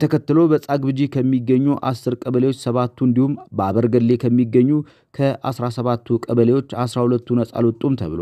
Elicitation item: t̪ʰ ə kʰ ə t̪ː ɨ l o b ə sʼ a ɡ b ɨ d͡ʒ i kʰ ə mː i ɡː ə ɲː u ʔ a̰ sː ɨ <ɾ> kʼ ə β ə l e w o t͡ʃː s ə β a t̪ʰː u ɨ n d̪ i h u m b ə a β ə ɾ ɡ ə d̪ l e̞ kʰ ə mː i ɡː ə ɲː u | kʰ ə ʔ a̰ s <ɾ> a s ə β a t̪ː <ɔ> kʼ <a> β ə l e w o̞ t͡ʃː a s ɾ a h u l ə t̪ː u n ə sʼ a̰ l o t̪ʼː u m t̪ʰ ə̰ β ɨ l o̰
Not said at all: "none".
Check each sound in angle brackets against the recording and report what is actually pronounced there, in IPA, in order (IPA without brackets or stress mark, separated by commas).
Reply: ɾ, ɾ, u, ə